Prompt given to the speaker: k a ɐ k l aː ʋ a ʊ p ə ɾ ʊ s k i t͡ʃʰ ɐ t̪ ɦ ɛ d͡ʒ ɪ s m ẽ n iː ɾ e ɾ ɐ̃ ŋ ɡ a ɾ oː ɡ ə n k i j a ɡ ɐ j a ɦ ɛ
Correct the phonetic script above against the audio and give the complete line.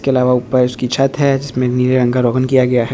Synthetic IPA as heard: k e ɐ l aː ʋ a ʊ p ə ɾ ʊ s k i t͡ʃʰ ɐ t̪ ɦ ɛ d͡ʒ ɪ s m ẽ n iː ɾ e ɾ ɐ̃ ŋ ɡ a ɾ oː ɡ ə n k i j a ɡ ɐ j a ɦ ɛ